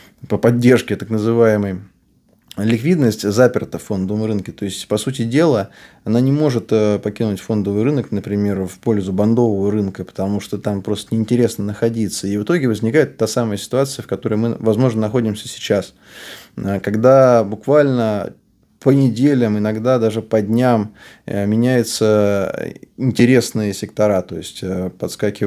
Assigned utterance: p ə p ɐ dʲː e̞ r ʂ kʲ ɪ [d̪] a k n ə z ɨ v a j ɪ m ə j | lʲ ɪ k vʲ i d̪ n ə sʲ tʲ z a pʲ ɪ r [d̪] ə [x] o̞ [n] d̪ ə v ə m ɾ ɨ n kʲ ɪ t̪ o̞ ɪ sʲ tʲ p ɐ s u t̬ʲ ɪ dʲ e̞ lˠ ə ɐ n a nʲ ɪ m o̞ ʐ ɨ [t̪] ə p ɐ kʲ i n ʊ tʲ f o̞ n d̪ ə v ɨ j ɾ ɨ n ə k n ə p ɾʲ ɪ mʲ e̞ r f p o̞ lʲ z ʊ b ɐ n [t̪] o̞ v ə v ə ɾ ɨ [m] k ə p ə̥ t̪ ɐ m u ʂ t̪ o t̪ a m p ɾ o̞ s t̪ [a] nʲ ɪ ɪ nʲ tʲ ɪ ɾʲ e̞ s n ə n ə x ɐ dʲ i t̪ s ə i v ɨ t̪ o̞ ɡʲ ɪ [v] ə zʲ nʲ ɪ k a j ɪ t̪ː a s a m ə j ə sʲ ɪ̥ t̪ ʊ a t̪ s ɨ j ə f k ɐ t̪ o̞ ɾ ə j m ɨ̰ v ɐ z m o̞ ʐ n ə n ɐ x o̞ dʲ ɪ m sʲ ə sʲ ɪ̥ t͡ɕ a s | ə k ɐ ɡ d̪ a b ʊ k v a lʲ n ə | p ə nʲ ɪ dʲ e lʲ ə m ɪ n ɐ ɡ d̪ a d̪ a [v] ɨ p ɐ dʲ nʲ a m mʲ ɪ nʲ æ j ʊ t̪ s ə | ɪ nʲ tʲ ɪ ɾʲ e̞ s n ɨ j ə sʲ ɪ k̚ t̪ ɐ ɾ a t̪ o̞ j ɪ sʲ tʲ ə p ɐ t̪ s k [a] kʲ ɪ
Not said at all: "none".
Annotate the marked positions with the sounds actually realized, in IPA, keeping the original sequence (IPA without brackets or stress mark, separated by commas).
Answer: t̪, t̪, f, n, t̪, d̪, n, ə, v, ʐ, a